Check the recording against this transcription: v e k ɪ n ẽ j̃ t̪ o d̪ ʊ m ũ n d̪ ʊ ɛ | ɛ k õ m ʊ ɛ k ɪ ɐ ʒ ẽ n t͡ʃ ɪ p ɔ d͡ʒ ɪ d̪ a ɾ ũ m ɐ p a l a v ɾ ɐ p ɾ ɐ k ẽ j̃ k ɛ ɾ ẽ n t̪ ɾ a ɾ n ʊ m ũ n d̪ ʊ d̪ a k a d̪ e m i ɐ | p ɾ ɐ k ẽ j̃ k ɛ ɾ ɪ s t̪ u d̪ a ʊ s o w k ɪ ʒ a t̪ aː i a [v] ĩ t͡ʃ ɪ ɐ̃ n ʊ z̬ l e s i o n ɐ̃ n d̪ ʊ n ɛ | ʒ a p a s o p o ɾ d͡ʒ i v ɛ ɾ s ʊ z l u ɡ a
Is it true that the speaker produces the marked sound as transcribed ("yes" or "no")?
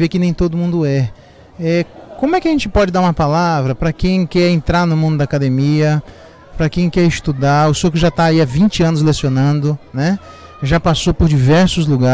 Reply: yes